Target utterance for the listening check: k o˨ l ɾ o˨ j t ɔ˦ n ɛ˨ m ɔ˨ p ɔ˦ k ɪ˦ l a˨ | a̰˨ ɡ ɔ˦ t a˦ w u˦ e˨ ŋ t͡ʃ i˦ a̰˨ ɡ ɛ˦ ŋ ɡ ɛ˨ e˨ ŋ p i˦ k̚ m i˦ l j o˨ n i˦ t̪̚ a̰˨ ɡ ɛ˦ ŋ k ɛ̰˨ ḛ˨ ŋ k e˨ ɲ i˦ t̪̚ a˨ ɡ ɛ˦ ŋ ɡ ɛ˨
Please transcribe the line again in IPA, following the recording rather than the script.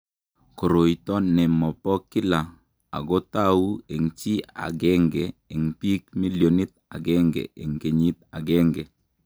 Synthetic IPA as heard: k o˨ ɾ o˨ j t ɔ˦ n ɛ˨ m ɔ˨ p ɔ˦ k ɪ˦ l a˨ | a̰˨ ɡ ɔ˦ t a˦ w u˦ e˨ ŋ t͡ʃ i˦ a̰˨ ɡ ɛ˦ ŋ ɡ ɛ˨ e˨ ŋ p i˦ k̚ m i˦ l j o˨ n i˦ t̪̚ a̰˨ ɡ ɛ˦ ŋ ɡ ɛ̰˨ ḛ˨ ŋ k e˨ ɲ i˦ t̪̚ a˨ ɡ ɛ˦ ŋ ɡ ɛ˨